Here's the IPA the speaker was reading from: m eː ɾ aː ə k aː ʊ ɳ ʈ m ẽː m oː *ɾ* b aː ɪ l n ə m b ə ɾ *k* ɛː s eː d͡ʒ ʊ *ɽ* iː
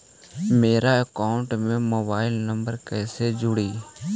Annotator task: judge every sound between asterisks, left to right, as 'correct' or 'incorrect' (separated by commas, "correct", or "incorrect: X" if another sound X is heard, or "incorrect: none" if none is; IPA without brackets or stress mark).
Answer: incorrect: none, correct, correct